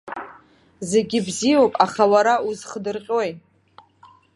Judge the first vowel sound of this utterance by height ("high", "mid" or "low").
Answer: mid